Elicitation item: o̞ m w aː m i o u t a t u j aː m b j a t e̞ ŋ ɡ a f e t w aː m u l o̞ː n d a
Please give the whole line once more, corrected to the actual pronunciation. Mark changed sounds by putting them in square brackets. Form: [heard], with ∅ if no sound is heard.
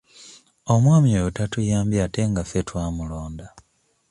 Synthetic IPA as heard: o̞ m w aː m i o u t a t u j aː m b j a t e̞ ŋ ɡ a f e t w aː m u l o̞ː n d a